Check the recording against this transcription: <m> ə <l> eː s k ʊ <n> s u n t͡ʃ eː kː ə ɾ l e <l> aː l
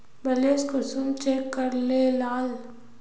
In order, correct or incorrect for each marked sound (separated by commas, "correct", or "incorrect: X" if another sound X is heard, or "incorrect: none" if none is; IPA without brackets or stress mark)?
incorrect: b, correct, incorrect: none, correct